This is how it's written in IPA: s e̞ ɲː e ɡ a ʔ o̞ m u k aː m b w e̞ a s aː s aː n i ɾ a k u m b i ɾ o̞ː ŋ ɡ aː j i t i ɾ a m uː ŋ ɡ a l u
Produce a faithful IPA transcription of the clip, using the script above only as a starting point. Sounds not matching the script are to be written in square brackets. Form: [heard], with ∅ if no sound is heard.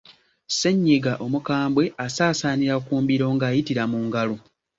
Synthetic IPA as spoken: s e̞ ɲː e ɡ a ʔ o̞ m u k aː m b w e̞ a s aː s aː n i ɾ a k [uː] m b i ɾ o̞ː ŋ ɡ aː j i t i ɾ a m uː ŋ ɡ a l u